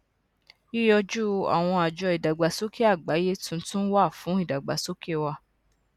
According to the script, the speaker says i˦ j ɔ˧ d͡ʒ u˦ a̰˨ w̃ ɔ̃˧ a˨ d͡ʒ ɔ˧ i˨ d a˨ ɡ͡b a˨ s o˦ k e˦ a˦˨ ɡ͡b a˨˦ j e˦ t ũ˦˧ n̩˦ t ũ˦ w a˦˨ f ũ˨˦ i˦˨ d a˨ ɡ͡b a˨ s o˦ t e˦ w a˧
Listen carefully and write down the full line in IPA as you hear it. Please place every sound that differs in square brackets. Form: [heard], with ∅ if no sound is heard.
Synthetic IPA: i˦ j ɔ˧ d͡ʒ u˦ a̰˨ w̃ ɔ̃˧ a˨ d͡ʒ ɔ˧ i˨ d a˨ ɡ͡b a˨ s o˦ k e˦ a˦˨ ɡ͡b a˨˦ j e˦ t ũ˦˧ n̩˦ t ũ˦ w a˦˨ f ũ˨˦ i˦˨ d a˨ ɡ͡b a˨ s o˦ [k] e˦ w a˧